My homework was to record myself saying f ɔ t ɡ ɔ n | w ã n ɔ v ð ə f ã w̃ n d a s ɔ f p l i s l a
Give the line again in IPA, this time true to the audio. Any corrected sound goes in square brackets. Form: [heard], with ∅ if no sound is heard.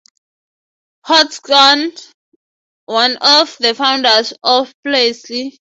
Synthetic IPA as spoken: [h] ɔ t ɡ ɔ n | w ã n ɔ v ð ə f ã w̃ n d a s ɔ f p l [e] s l [i]